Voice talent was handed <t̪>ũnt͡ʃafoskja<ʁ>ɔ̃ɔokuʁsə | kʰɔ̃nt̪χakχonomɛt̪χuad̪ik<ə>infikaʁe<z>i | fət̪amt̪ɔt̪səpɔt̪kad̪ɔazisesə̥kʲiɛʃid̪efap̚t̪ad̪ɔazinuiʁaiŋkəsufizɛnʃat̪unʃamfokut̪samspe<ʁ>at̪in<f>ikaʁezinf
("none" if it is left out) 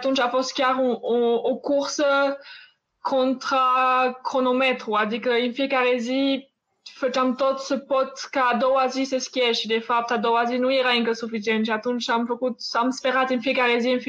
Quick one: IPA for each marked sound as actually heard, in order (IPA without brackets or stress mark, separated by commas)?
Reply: t̪, ʁ, ə, z, ʁ, f